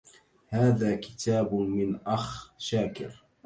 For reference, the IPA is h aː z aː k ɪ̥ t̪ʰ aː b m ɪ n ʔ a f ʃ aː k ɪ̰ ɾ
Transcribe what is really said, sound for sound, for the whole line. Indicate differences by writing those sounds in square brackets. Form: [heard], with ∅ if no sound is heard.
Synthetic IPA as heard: h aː [ð] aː k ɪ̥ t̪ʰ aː b m ɪ n ʔ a [x] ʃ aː k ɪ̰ ɾ

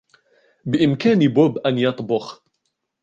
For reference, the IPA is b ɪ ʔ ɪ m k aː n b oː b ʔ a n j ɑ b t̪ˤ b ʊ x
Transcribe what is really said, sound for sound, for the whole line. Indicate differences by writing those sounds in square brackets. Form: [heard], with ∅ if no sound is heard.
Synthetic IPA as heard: b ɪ ʔ ɪ m k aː n b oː b ʔ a n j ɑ [∅] t̪ˤ b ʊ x

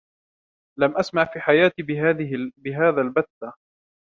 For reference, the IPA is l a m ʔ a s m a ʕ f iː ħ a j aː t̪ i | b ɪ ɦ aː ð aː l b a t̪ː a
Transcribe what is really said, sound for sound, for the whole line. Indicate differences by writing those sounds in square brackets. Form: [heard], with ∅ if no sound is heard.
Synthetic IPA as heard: l a m ʔ a s m a ʕ f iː ħ a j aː t̪ i | b ɪ ɦ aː ð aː l b a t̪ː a

